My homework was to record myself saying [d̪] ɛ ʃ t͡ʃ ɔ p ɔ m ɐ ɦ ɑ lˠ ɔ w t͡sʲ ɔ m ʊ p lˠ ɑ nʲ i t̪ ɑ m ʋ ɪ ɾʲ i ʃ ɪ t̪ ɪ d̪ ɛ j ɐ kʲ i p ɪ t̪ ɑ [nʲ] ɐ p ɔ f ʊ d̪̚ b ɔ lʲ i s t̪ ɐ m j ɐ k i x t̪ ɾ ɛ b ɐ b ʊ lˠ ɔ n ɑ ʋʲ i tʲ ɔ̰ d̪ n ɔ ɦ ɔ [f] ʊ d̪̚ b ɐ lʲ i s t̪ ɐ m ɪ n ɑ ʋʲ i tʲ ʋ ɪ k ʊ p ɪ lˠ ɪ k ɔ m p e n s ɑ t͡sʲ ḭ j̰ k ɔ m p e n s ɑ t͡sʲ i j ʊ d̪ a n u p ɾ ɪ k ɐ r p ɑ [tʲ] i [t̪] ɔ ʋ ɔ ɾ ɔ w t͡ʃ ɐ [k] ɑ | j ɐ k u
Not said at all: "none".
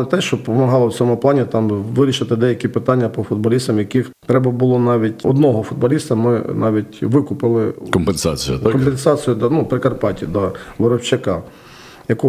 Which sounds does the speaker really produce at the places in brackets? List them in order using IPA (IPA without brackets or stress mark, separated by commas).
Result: t̪, nʲː, f, tʲ, d̪, k